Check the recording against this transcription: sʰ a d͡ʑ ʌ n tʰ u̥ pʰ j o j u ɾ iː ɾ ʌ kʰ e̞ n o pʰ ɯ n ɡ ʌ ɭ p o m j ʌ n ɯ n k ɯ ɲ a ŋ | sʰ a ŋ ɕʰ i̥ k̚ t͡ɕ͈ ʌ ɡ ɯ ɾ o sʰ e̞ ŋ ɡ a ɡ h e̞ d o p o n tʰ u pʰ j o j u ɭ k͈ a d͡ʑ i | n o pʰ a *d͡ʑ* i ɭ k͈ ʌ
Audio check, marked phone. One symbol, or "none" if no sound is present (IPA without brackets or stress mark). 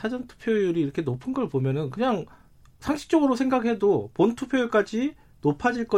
d͡ʑ